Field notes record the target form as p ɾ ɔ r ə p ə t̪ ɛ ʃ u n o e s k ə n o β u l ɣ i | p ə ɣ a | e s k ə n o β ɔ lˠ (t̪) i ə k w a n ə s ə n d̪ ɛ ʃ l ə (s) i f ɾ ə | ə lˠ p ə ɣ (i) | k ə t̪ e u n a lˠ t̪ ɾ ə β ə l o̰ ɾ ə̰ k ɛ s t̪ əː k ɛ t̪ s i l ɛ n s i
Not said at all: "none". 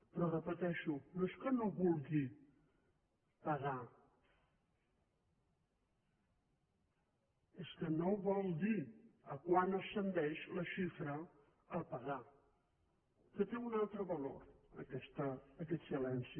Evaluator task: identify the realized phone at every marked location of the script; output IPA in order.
d̪, ʃ, a

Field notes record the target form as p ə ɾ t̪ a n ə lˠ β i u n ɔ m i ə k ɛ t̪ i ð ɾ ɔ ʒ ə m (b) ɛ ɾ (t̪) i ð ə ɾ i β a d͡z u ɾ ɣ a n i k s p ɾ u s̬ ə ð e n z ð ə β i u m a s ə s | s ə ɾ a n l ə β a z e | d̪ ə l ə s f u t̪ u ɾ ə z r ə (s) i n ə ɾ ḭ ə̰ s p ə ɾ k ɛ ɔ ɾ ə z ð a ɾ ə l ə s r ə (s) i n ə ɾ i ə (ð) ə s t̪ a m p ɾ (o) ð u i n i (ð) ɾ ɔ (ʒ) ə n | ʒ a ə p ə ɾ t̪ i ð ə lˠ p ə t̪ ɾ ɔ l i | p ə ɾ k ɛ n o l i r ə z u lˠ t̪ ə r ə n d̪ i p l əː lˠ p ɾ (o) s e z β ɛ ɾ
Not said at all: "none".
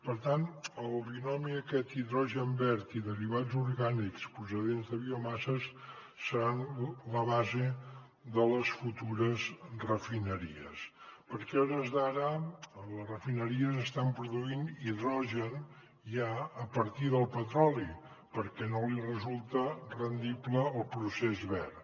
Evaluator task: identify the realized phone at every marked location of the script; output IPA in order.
b, t̪, f, f, z, u, ð, ʒ, u

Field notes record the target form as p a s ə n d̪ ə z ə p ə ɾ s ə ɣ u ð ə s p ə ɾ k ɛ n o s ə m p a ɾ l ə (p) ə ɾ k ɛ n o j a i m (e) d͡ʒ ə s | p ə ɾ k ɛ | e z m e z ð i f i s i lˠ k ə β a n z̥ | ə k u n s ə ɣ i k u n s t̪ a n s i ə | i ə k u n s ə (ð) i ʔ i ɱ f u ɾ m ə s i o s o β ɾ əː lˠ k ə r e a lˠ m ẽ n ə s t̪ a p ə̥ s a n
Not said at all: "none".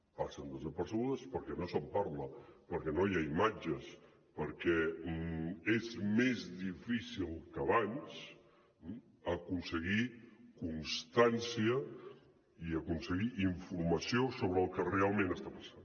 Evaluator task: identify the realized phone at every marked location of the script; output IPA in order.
p, a, ɣ

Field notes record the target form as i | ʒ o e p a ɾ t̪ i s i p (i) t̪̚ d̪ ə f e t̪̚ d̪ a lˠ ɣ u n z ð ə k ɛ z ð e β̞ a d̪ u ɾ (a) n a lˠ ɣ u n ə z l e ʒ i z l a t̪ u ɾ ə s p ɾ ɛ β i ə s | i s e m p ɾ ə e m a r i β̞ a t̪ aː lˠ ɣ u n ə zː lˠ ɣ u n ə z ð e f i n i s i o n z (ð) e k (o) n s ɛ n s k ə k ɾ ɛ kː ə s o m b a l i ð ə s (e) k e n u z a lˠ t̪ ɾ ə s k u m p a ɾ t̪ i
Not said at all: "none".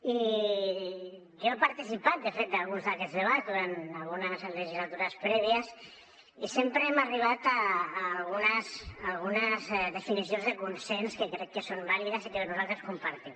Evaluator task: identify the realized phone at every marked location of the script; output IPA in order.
a, a, ð, u, i

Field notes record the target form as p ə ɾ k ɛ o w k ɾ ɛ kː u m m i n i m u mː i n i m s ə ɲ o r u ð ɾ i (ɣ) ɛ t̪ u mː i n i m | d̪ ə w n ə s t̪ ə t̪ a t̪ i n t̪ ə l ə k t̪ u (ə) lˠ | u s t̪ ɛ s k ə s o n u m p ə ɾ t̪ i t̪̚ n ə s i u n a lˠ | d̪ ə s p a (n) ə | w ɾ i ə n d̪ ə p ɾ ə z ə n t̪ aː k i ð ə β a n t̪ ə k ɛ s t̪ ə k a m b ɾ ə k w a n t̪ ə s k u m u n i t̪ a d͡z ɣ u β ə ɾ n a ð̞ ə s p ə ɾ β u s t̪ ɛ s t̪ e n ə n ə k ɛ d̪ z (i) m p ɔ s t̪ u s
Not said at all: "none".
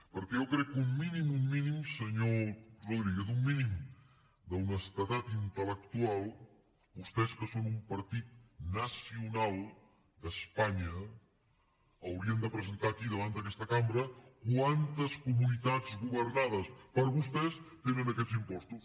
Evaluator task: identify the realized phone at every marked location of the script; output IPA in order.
ɣ, a, ɲ, i

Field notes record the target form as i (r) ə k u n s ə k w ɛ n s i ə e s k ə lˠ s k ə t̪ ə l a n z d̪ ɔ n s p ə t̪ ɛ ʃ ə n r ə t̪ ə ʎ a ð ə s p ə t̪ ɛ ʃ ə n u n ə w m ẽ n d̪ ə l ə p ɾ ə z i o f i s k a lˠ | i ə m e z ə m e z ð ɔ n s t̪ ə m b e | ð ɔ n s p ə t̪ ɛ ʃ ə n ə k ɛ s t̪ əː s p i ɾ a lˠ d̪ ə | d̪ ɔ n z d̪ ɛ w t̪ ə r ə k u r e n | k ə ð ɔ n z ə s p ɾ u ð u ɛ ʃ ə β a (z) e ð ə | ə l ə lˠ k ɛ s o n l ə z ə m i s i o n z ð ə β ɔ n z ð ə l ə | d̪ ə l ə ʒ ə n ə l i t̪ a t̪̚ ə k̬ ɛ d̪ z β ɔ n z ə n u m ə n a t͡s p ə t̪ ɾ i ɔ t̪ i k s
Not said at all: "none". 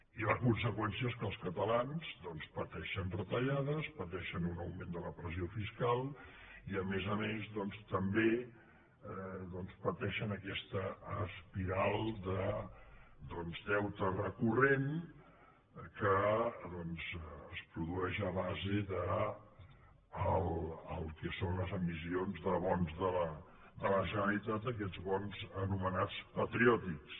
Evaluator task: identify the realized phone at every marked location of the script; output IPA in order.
l, z

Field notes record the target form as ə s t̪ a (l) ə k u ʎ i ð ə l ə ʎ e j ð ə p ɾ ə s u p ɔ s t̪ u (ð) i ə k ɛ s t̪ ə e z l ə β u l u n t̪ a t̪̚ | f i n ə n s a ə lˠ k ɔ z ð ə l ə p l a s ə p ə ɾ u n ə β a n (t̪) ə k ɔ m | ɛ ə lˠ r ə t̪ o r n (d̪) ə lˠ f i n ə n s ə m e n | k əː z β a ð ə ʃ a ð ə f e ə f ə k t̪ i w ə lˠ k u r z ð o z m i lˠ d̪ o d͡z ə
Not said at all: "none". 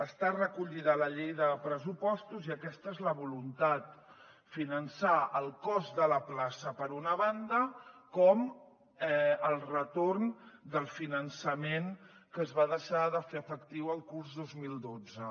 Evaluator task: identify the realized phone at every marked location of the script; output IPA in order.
r, z, d̪, d̪

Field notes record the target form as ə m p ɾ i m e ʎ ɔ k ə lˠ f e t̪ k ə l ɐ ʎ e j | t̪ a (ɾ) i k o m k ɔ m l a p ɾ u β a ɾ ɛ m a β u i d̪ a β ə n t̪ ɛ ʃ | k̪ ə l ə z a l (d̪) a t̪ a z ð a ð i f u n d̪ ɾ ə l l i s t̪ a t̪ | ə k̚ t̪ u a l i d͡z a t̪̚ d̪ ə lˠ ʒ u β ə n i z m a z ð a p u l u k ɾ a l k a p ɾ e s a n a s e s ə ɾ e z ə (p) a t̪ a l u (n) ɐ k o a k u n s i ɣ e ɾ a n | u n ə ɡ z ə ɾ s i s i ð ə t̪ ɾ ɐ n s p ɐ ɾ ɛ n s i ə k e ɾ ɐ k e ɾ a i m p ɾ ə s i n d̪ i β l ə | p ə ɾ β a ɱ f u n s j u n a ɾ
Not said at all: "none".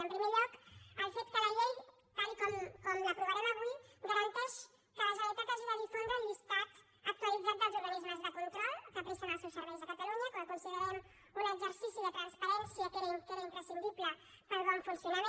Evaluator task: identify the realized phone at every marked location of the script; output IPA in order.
l, t̪, k, ɲ

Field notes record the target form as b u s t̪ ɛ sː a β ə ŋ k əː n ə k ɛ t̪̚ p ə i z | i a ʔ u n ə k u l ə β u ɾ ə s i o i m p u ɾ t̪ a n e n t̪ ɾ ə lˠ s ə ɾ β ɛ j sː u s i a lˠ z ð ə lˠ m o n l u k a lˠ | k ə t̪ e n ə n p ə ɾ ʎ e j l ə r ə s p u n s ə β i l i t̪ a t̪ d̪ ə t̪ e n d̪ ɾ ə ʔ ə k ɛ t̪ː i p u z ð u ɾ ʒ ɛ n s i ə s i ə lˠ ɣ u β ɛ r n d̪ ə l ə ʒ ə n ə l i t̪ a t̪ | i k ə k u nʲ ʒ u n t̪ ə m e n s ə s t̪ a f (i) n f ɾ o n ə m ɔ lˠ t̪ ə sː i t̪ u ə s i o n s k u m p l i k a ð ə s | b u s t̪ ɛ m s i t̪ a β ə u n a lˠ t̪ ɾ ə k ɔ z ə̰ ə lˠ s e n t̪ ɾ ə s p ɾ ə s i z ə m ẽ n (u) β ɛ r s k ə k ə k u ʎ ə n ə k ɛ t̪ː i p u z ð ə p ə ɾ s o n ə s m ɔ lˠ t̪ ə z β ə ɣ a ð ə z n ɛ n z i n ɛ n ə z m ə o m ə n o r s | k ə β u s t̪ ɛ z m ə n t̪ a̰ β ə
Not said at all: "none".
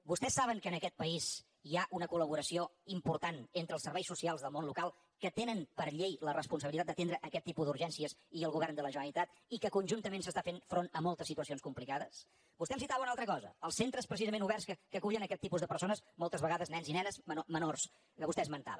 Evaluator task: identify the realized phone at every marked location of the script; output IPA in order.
e, u

